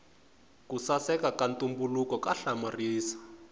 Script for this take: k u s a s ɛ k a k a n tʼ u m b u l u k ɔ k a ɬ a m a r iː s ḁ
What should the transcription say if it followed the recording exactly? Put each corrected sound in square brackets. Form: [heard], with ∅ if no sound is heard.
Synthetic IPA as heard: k u s a s ɛ k a k a n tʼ u m b u l u k ɔ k a ɬ a m a r iː s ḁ

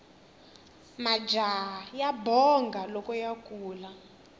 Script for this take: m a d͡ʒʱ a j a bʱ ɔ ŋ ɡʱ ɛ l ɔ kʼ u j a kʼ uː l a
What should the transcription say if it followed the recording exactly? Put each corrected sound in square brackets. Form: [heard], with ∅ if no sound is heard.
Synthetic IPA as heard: m a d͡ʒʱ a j a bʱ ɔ ŋ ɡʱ [a] l ɔ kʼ [ɔ] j a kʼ uː l a

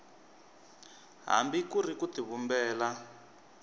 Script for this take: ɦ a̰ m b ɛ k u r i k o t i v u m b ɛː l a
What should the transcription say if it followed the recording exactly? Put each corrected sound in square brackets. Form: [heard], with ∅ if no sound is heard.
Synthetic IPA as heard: ɦ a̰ m b [i] k u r i k [u] t i [β] u m b ɛː l a

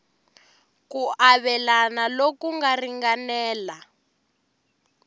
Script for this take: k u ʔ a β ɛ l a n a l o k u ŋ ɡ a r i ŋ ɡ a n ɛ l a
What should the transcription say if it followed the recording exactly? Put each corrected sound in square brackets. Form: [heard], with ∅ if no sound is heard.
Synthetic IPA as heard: k u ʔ a β ɛ l a n a l o k u ŋ ɡ a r i ŋ ɡ a n [ɛː] l a

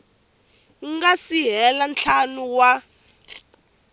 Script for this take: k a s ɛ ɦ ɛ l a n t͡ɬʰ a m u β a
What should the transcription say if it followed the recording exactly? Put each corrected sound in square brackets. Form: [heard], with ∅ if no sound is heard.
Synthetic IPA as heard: [ɡ] a s [i] ɦ ɛ l a n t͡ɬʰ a [n] u [w] a

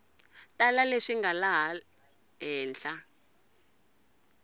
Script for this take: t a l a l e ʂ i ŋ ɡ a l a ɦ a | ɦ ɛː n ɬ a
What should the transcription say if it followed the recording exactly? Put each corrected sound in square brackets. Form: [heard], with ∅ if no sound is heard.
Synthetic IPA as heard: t a l a l e ʂ i ŋ ɡ a l a ɦ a | ɦ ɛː n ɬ a

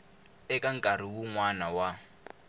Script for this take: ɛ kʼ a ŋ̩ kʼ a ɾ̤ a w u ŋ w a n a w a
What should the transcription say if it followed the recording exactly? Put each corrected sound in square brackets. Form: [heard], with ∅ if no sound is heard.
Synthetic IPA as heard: ɛ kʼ a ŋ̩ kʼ a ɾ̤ [i] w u ŋ w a n a w a

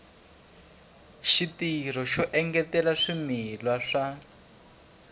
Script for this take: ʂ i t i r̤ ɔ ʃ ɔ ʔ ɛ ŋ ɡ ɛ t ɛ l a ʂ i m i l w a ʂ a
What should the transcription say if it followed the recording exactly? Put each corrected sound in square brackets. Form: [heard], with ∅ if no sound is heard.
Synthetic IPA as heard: [ʃ] i t i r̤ ɔ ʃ ɔ ʔ ɛ ŋ ɡ ɛ t ɛ l a ʂ i m i l w a ʂ a

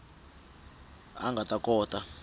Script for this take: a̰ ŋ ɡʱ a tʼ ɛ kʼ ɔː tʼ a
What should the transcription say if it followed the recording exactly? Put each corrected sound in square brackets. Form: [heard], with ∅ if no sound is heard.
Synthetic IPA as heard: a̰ ŋ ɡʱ a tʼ [a] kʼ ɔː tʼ a

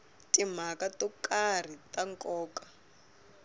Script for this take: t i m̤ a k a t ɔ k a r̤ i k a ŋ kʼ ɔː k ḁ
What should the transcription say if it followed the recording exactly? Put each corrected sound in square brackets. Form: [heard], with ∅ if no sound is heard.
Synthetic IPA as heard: t i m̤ a k a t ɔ k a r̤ i [t] a ŋ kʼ ɔː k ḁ

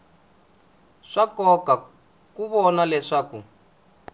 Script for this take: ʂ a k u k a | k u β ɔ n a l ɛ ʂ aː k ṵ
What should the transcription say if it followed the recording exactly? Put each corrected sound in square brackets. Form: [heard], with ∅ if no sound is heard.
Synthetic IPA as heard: ʂ a k [ɔ] k a | k u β ɔ n a l ɛ ʂ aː k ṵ

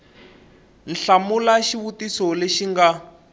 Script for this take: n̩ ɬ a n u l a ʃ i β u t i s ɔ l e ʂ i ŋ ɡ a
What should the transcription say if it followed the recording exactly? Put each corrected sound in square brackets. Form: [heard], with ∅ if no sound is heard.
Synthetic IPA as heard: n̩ ɬ a [m] u l a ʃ i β u t i s ɔ l e [ʃ] i ŋ ɡ a

